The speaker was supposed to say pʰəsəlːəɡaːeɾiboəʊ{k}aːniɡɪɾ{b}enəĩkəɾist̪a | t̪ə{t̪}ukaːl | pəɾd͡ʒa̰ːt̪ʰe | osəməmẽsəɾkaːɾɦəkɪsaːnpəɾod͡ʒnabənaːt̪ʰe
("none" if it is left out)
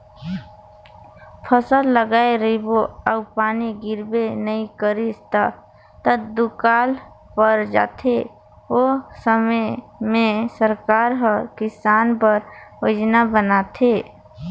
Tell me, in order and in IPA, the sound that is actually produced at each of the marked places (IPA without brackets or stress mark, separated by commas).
p, b, d̪